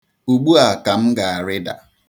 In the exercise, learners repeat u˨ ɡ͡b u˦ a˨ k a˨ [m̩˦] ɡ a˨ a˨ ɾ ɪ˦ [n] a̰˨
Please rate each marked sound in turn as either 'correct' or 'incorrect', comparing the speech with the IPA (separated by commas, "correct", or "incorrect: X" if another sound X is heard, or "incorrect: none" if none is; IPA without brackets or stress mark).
correct, incorrect: d